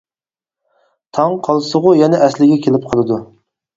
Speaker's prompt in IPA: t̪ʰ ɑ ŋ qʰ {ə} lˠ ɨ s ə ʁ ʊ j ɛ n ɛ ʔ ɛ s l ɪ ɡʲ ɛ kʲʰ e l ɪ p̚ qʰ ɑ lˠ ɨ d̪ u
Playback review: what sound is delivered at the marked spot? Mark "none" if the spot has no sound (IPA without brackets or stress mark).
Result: ɑ